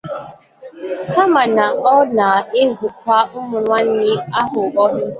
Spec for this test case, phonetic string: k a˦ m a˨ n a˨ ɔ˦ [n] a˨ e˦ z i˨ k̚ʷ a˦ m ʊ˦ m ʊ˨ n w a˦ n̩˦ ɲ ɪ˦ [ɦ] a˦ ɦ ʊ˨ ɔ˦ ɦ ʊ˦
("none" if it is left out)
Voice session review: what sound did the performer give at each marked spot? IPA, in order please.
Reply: n, none

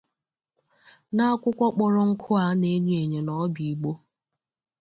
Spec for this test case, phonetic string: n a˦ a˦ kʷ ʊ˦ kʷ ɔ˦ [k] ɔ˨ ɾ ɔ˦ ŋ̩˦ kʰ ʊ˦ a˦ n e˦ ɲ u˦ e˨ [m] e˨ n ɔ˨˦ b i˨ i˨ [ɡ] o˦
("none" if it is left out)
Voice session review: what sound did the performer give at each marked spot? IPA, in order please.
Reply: k͡p, ɲ, ɡ͡b

